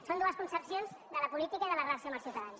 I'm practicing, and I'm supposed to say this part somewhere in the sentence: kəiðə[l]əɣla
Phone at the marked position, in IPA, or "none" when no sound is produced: l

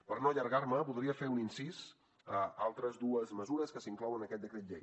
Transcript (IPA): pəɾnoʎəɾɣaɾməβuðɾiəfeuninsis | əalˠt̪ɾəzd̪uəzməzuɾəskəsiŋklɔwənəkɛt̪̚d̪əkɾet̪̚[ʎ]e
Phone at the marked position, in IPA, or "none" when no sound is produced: ʎ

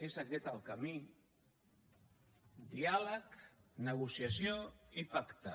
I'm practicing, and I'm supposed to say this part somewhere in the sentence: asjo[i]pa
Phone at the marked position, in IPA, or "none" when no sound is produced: i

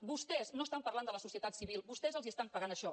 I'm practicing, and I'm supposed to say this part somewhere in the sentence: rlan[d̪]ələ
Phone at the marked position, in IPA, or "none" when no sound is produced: d̪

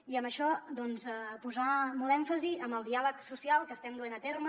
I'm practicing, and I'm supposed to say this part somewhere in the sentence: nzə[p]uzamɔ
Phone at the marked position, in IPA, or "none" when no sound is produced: p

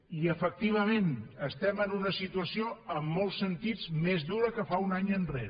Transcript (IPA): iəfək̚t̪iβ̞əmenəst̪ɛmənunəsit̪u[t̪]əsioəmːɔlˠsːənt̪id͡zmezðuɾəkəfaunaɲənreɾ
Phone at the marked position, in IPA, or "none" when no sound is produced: none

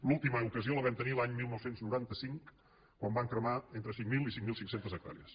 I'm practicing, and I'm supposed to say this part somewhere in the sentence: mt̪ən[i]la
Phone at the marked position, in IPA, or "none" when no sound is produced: i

